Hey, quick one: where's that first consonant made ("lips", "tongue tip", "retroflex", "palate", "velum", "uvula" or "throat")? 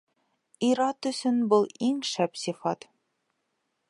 tongue tip